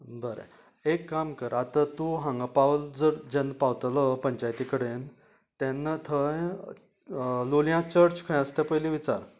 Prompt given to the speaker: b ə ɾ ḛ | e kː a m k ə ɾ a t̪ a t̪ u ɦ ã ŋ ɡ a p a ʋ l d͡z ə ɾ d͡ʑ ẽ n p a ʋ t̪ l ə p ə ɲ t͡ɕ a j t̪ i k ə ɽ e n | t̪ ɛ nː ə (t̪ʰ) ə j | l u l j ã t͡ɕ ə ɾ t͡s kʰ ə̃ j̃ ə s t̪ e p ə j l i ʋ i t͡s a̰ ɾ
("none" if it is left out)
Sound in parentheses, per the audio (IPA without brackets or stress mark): t̪ʰ